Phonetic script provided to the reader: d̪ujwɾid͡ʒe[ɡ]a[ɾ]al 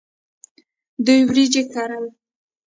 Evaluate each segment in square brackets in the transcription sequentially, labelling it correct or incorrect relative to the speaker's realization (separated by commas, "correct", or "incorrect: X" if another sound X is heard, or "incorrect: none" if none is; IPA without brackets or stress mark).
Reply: incorrect: k, correct